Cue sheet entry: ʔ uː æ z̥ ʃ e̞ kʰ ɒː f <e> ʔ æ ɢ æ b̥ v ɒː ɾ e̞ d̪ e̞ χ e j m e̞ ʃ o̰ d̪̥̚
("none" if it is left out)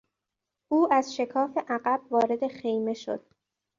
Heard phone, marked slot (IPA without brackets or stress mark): e